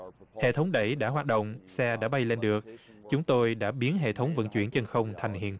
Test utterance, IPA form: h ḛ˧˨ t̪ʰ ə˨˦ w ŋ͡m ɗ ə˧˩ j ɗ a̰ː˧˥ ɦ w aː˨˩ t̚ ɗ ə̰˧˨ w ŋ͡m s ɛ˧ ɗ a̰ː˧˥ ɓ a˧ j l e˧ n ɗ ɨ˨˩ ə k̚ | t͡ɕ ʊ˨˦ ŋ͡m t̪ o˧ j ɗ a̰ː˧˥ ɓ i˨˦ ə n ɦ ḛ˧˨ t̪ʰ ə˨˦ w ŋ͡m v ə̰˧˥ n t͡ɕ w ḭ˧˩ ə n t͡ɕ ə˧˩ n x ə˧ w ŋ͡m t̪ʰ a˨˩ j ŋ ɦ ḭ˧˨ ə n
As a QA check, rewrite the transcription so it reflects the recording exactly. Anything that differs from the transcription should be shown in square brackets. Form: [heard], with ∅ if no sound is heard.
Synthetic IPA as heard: h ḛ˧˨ t̪ʰ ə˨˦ w ŋ͡m ɗ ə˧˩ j ɗ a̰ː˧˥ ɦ w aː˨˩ t̚ ɗ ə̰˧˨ w ŋ͡m s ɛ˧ ɗ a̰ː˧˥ ɓ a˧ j l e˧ n ɗ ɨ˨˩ ə k̚ | t͡ɕ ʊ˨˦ ŋ͡m t̪ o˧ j ɗ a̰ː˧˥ ɓ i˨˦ ə n ɦ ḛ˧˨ t̪ʰ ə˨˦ w ŋ͡m v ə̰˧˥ n t͡ɕ w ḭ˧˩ ə n t͡ɕ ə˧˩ n x ə˧ w ŋ͡m t̪ʰ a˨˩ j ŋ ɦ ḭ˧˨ ə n

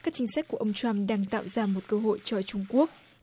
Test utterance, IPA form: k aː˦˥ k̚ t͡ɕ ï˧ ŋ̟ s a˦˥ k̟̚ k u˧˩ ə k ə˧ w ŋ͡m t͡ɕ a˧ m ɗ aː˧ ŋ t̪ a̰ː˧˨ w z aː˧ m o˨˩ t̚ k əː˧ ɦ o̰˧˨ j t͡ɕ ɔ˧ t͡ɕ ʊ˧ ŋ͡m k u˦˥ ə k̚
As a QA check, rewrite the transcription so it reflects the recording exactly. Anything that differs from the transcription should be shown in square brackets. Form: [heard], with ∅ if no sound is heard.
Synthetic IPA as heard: k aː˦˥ k̚ t͡ɕ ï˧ ŋ̟ s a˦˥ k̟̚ k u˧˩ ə [ʔ] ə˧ w ŋ͡m t͡ɕ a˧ m ɗ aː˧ ŋ t̪ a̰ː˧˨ w z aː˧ m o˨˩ t̚ k əː˧ ɦ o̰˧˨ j t͡ɕ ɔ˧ t͡ɕ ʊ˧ ŋ͡m k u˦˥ ə k̚

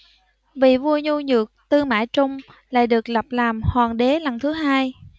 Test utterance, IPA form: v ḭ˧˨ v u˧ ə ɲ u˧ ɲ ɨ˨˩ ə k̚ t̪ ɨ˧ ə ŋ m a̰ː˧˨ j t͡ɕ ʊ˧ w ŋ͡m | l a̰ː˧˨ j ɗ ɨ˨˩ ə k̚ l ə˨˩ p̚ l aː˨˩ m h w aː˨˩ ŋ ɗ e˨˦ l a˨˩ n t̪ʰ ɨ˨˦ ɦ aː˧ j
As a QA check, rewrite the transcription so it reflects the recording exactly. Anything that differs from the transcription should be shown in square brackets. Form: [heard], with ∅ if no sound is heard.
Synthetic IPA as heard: v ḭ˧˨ v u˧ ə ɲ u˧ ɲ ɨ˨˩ ə k̚ t̪ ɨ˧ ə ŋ m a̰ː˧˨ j t͡ɕ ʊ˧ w ŋ͡m | l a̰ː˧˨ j ɗ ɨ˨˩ ə k̚ l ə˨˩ p̚ l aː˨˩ m h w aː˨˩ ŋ ɗ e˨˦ l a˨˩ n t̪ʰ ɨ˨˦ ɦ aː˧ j

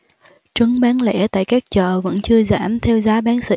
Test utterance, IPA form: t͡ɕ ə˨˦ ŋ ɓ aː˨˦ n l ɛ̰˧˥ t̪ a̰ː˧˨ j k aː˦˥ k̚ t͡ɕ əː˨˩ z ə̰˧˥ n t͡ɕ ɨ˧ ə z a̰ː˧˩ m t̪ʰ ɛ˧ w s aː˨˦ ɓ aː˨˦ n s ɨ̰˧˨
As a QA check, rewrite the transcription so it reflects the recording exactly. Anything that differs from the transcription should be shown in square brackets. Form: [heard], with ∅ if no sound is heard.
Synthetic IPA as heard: t͡ɕ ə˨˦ ŋ ɓ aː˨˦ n l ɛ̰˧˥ t̪ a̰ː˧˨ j k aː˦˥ k̚ t͡ɕ əː˨˩ [v] ə̰˧˥ n t͡ɕ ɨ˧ ə z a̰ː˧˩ m t̪ʰ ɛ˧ w [z] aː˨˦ ɓ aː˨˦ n s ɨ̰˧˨

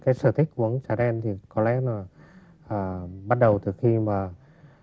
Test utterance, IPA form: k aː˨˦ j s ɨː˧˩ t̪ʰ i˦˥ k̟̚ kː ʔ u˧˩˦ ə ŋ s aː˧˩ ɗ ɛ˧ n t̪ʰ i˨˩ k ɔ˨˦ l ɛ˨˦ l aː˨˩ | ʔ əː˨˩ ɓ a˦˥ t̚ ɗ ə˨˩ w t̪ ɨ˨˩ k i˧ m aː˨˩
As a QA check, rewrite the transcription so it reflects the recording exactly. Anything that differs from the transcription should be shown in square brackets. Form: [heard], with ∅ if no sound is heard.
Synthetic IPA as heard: k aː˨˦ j s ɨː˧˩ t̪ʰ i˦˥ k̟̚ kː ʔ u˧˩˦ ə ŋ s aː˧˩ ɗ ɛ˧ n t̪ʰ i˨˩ k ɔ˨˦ l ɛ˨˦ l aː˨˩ | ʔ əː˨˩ ɓ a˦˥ t̚ ɗ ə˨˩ w t̪ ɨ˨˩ [x] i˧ m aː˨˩

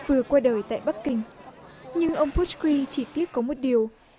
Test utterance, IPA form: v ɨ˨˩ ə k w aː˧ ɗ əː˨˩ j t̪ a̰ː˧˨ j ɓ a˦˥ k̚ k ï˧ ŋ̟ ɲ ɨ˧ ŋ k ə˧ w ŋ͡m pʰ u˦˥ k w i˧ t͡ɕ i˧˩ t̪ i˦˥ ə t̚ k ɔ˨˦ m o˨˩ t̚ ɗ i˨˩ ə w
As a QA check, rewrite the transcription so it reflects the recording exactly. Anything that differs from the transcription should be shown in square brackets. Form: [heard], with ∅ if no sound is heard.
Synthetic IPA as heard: v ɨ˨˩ ə k w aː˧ ɗ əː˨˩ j t̪ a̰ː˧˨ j ɓ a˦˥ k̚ k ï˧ ŋ̟ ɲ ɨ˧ ŋ [ʔ] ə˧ w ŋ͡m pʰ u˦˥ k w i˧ t͡ɕ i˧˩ t̪ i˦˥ ə t̚ k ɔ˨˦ m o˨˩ t̚ ɗ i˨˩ ə w

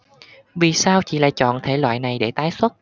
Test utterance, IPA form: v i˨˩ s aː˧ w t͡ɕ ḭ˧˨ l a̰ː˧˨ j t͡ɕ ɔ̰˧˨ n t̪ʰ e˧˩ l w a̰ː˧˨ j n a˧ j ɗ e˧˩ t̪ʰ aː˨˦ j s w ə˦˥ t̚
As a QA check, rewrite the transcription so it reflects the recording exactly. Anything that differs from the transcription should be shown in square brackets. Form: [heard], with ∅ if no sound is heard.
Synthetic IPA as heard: v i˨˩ s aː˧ w t͡ɕ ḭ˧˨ l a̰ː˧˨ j t͡ɕ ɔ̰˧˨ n t̪ʰ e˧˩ l w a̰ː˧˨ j n [a˨˩] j ɗ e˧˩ [t̪] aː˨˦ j s w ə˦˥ t̚

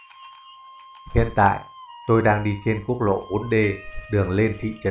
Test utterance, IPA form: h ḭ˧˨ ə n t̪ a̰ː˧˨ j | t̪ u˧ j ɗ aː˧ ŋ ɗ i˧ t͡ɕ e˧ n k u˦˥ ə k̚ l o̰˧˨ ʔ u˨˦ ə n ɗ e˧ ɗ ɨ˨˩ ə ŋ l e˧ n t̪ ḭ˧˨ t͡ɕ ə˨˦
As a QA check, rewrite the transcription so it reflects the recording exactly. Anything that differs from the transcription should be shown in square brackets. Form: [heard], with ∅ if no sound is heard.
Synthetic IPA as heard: h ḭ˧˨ ə n t̪ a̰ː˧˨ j | t̪ [o˧] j ɗ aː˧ ŋ ɗ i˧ t͡ɕ e˧ n k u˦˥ ə k̚ l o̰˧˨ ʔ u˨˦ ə n ɗ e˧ ɗ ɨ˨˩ ə ŋ l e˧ n [t̪ʰ] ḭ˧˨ t͡ɕ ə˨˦

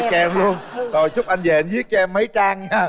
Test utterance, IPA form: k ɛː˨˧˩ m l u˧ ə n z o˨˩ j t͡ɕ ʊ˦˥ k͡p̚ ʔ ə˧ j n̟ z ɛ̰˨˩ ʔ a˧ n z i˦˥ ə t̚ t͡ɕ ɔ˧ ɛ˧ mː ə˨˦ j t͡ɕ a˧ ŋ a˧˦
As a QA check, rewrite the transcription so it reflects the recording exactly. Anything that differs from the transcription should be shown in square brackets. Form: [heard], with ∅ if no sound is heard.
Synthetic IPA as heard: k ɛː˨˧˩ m l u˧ ə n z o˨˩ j t͡ɕ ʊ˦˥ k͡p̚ ʔ [a˧] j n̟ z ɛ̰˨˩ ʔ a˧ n z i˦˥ ə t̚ t͡ɕ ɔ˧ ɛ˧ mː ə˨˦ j t͡ɕ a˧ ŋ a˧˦

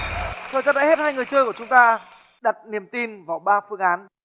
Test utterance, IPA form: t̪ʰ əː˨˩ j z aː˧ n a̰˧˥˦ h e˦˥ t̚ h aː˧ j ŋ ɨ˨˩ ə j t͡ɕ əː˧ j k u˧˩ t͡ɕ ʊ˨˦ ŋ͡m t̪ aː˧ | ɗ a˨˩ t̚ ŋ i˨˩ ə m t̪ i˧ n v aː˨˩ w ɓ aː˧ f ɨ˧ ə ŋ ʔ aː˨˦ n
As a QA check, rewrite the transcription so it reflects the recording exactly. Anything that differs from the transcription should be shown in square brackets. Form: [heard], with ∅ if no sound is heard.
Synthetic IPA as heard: t̪ʰ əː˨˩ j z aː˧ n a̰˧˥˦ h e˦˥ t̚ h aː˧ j ŋ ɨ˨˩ ə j t͡ɕ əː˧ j k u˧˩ t͡ɕ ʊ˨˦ ŋ͡m t̪ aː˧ | ɗ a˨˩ t̚ [n] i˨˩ ə m t̪ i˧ n v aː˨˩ w ɓ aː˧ f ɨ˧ ə ŋ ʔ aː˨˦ n

